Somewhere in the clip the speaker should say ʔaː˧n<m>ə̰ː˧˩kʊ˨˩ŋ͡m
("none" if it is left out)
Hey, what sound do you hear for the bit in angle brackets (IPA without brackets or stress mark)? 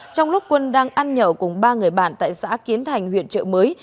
ɲ